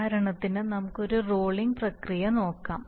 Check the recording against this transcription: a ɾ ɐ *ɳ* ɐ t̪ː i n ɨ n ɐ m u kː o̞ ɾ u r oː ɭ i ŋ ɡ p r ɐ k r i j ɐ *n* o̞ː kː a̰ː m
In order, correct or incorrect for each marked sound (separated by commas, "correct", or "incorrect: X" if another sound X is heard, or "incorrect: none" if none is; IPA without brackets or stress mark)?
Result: correct, correct